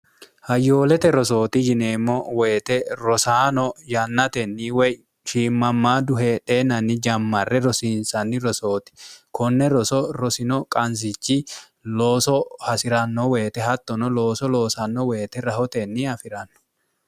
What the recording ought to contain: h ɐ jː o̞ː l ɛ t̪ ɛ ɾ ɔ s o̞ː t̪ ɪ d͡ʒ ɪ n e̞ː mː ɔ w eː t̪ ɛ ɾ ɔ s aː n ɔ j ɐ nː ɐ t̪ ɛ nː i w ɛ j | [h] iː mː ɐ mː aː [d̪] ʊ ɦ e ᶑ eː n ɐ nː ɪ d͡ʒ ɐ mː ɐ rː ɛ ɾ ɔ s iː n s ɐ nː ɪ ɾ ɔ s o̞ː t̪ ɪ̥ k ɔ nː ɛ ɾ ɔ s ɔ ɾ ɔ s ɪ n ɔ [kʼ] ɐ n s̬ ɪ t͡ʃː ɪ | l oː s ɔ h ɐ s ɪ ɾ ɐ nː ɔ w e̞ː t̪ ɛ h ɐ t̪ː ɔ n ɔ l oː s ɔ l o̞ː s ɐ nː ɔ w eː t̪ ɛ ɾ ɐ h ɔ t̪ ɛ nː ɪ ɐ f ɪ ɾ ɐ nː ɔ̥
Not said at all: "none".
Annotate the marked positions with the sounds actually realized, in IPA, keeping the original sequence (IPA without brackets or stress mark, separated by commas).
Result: ʃ, d̪, kʼ